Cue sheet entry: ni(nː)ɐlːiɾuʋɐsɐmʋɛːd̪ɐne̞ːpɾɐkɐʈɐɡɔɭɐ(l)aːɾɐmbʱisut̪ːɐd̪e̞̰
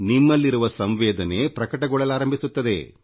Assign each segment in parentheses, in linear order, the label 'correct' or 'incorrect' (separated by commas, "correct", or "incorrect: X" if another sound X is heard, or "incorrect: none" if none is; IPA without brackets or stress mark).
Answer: incorrect: mː, correct